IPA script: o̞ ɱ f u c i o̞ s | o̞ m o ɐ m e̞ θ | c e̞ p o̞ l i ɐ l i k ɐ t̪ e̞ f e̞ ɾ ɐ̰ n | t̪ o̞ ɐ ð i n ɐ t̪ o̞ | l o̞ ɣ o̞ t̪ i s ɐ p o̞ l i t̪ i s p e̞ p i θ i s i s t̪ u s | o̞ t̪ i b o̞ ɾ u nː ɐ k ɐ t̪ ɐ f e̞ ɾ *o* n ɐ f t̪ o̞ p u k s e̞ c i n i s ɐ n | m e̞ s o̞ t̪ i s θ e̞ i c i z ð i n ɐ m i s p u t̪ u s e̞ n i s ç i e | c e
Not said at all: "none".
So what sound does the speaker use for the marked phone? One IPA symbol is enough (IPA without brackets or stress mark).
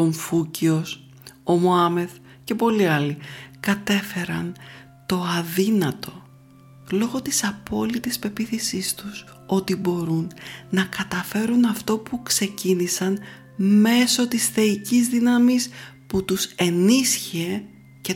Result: u